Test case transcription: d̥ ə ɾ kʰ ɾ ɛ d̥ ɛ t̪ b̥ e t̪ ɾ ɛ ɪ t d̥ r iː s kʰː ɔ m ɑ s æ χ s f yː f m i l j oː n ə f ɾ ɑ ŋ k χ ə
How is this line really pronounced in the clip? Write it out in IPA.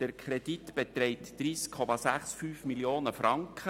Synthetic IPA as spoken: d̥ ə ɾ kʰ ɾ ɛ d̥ i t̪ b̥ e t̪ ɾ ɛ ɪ t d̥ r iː s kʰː ɔ m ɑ s æ χ s f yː f m i l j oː n ə f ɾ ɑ ŋ k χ ə